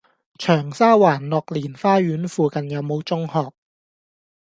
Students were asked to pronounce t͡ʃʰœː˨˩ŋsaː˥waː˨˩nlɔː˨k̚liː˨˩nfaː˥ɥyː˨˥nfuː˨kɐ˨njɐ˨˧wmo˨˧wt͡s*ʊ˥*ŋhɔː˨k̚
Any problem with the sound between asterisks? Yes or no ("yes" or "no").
no